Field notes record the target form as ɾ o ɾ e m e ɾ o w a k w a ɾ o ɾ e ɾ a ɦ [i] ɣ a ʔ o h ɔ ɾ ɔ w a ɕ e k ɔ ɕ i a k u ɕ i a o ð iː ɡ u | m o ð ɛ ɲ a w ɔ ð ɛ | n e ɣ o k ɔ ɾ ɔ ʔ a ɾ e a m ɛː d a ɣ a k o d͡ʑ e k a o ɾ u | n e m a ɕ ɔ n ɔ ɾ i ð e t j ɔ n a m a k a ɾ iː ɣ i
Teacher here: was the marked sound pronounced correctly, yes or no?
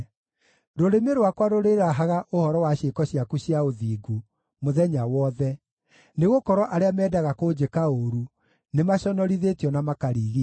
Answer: no